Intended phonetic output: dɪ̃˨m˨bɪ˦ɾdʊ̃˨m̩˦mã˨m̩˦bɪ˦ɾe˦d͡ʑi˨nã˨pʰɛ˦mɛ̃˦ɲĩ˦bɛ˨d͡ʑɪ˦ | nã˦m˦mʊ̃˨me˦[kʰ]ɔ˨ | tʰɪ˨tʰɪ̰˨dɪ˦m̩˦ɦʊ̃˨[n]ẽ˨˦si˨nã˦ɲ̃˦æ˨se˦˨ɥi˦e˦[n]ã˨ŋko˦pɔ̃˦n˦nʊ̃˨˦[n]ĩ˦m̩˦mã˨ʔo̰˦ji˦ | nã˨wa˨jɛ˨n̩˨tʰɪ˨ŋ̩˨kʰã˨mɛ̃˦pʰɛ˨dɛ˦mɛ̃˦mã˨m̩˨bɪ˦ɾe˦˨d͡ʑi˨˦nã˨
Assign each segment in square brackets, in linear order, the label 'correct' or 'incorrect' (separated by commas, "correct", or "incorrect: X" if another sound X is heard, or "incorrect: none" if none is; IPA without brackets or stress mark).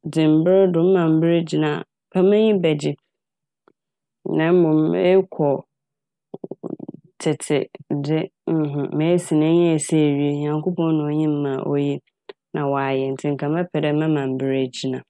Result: correct, incorrect: m, incorrect: ɲ, incorrect: ɲ